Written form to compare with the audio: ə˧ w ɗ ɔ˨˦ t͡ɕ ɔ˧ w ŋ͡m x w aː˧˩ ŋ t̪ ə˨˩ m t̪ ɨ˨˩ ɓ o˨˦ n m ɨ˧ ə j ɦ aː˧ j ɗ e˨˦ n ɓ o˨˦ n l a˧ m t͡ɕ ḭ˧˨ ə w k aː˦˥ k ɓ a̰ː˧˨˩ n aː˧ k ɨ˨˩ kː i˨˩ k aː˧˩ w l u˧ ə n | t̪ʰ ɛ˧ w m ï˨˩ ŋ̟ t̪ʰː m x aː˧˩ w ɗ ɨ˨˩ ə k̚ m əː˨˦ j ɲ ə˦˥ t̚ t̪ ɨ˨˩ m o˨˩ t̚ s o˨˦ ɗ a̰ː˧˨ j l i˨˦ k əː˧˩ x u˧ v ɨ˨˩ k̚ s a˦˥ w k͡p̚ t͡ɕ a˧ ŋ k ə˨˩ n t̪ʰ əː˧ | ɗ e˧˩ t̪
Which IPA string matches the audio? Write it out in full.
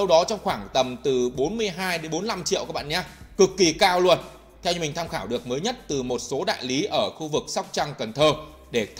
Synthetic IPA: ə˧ w ɗ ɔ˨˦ t͡ɕ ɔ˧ w ŋ͡m x w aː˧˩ ŋ t̪ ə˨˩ m t̪ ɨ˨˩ ɓ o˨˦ n m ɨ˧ ə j ɦ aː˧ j ɗ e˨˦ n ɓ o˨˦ n l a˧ m t͡ɕ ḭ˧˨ ə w k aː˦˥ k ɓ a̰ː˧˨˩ ɲ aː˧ k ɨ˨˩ kː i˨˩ k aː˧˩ w l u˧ ə n | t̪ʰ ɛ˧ w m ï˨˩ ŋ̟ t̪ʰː m x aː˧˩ w ɗ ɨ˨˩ ə k̚ m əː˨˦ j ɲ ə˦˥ t̚ t̪ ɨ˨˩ m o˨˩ t̚ s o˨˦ ɗ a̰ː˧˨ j l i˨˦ ʔ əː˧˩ x u˧ v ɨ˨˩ k̚ s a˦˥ w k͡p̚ t͡ɕ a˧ ŋ k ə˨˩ n t̪ʰ əː˧ | ɗ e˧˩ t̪

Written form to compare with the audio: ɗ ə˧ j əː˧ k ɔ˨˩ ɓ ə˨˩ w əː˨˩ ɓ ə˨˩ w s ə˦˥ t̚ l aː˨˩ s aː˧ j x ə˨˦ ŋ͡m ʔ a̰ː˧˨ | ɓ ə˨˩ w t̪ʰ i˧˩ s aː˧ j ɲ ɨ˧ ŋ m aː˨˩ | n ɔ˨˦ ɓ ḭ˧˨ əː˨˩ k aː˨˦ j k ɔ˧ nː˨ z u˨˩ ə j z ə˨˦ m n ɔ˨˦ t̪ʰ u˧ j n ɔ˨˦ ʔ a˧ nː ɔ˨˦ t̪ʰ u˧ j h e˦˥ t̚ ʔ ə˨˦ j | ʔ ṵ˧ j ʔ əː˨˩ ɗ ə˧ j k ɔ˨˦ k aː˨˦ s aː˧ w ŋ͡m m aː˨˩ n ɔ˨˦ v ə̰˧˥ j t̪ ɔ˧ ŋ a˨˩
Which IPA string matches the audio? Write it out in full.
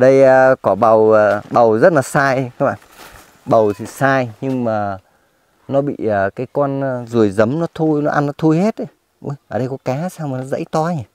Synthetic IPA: ɗ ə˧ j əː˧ k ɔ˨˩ ɓ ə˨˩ w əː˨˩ ɓ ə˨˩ w z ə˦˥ t̚ l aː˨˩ s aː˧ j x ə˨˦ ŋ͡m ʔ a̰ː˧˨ | ɓ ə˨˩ w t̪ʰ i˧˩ s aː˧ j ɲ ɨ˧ ŋ m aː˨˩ | n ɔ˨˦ ɓ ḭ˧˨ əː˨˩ k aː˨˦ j k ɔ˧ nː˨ z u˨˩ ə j z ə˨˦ m n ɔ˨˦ t̪ʰ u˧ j n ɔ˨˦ ʔ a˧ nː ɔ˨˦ t̪ʰ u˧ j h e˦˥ t̚ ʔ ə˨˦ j | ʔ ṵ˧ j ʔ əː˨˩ ɗ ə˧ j k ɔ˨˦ k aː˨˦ s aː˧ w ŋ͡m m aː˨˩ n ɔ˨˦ z ə̰˧˥ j t̪ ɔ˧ ɲ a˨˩

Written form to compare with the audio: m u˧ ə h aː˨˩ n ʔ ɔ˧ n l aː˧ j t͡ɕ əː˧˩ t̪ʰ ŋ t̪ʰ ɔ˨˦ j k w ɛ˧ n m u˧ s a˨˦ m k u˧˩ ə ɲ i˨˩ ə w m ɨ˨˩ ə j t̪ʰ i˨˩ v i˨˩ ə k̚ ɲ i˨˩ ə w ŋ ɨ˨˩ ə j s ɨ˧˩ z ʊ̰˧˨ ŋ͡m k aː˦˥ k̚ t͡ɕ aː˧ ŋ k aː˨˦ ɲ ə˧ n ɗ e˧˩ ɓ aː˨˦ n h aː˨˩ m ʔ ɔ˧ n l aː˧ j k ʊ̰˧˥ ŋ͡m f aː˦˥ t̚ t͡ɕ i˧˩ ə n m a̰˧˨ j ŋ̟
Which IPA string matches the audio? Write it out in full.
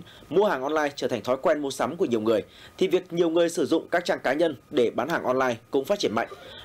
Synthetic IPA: m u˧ ə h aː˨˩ ŋ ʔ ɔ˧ n l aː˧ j t͡ɕ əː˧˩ t̪ʰ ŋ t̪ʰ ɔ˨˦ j k w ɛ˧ n m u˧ s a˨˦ m k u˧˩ ə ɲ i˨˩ ə w ŋ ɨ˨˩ ə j t̪ʰ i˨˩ v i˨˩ ə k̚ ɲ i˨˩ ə w ŋ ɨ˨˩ ə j s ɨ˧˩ z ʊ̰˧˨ ŋ͡m k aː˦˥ k̚ t͡ɕ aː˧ ŋ k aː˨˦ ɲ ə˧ n ɗ e˧˩ ɓ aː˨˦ n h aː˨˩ ŋ ʔ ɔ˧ n l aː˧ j k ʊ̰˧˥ ŋ͡m f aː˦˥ t̚ t͡ɕ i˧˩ ə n m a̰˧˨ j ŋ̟

